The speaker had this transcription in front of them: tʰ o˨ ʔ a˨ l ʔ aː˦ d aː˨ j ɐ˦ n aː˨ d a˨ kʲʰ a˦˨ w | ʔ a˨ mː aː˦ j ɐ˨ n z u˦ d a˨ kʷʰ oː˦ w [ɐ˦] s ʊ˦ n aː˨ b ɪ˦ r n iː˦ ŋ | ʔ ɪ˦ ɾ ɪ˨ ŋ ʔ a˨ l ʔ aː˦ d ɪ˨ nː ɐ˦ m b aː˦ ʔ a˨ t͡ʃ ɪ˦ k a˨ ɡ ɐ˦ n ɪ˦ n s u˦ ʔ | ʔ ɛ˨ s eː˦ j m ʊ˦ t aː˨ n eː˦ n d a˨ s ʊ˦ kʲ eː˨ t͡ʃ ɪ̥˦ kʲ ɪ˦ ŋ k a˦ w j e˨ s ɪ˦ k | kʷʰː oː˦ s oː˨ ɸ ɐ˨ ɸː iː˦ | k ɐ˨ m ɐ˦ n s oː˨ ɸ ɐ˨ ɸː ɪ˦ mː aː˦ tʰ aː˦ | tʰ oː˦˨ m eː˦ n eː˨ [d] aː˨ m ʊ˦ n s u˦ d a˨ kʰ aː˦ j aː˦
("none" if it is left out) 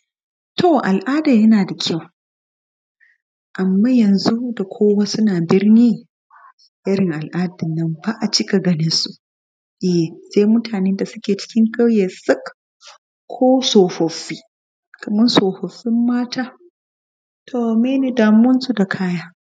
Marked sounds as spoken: a˦, d

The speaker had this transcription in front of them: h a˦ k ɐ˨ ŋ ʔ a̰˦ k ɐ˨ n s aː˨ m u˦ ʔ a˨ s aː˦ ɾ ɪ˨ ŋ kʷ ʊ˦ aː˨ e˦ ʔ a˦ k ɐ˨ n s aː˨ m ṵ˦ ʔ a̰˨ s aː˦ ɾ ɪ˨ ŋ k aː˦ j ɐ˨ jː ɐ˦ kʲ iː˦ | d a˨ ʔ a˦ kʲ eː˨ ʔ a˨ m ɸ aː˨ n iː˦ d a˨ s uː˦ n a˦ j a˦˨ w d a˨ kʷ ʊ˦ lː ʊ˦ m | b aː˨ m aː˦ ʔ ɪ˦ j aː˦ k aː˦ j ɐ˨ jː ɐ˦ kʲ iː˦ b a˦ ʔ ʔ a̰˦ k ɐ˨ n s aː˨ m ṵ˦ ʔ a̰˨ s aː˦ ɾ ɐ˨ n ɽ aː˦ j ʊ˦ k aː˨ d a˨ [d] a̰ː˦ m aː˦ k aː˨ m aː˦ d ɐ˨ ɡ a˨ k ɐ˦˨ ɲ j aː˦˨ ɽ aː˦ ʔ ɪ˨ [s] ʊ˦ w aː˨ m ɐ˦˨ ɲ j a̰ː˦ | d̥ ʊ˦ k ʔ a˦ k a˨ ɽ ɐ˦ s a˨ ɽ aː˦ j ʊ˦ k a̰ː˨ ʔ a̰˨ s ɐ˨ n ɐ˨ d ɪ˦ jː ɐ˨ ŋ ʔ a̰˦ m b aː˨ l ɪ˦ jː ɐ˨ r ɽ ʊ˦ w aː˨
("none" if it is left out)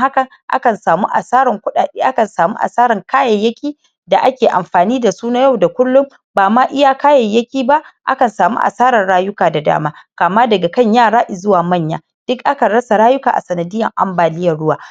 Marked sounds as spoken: d, z

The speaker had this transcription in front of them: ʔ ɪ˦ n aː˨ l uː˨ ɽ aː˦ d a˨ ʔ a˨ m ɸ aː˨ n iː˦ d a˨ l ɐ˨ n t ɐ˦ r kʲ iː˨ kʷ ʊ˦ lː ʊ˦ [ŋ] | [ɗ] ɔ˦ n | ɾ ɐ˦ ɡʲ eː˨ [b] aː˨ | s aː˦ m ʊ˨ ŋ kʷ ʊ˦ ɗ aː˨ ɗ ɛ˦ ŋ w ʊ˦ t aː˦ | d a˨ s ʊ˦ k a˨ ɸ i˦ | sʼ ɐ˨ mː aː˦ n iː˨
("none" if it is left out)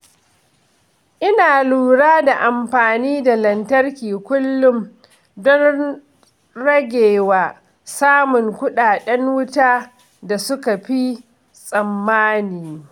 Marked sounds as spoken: m, d, w

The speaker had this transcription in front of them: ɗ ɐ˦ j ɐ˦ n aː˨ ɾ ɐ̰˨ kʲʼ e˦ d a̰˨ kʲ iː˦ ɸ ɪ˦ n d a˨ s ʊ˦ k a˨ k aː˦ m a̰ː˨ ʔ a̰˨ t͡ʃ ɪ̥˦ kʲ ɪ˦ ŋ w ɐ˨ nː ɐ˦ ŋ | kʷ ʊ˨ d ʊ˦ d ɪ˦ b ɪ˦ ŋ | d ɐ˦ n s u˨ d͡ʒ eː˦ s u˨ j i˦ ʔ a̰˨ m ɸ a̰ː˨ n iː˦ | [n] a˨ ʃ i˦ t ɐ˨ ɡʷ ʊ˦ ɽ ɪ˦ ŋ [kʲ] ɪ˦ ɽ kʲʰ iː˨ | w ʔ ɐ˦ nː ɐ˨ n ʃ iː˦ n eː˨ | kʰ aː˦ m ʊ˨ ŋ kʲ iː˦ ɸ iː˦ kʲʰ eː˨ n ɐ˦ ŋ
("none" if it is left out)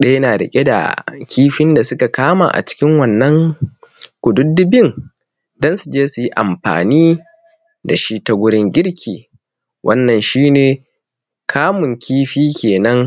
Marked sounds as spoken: d, ɡʲ

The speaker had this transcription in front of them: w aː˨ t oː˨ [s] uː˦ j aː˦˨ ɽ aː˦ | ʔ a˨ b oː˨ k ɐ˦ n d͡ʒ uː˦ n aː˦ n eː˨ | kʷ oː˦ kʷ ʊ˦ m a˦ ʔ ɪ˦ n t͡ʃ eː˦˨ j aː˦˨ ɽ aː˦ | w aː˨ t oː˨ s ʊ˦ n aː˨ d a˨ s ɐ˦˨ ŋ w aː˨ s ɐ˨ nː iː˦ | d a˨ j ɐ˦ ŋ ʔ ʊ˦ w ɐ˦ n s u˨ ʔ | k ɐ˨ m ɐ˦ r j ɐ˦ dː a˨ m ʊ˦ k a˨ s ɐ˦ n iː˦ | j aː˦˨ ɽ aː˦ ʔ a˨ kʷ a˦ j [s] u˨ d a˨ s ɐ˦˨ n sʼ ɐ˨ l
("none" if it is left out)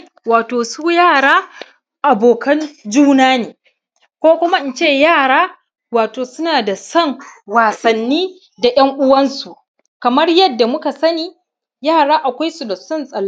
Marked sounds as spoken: s, s

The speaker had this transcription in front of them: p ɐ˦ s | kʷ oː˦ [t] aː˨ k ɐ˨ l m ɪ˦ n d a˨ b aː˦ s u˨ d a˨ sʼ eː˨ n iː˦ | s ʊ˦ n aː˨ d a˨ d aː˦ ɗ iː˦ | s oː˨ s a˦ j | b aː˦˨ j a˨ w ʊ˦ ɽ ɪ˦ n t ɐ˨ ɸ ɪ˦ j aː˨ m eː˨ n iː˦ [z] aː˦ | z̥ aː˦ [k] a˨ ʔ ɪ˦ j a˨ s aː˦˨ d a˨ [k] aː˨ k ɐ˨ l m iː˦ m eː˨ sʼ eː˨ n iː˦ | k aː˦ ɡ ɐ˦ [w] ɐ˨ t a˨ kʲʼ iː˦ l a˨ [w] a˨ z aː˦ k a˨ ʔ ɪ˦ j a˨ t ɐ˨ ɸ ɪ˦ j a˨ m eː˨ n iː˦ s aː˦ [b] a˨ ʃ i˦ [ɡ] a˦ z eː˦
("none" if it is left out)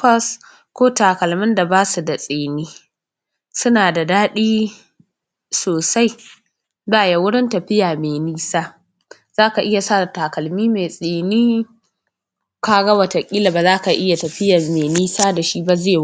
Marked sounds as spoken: t, s, k, t, w, b, d, b

